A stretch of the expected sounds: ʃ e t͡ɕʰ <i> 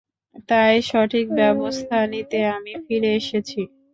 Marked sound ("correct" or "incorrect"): correct